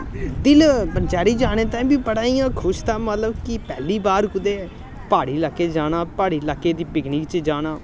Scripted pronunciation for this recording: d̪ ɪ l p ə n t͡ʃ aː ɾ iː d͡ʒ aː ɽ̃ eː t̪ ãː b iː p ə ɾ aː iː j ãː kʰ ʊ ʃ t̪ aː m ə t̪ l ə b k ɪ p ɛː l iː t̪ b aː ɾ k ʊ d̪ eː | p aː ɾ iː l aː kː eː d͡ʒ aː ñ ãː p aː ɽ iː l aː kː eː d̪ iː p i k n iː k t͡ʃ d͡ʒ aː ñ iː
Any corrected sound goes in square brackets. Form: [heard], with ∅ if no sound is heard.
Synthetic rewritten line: d̪ ɪ l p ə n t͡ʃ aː ɾ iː d͡ʒ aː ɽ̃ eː t̪ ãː b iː p ə [ɽ] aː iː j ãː kʰ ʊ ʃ t̪ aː m ə t̪ l ə b k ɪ p ɛː l iː [∅] b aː ɾ k ʊ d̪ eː | p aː [ɽ] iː l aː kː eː d͡ʒ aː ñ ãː p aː ɽ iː l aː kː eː d̪ iː p [ɪ] k n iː k t͡ʃ d͡ʒ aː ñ [aː]